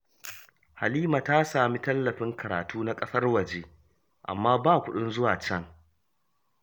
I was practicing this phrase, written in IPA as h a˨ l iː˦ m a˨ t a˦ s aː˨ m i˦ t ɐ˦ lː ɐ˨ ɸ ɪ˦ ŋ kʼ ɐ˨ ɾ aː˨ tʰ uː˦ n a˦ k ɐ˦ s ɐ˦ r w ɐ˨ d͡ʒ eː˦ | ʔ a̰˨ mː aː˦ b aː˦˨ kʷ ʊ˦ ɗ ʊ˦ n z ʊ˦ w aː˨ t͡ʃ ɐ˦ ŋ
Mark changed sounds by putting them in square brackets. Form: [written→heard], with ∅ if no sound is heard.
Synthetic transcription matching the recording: h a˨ l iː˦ m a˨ t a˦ s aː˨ m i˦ t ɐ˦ lː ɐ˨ ɸ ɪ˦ ŋ [kʼ→k] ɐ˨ ɾ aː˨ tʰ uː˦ n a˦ [k→kʼ] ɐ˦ s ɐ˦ r w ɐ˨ d͡ʒ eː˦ | ʔ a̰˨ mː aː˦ b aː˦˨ kʷ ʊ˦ ɗ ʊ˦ n z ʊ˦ w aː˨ t͡ʃ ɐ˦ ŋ